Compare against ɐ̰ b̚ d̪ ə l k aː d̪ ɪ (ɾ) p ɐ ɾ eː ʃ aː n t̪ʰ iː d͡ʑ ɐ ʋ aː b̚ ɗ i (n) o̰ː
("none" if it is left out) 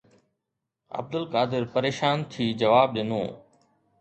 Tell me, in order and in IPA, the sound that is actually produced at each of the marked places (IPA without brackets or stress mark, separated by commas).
ɾ, n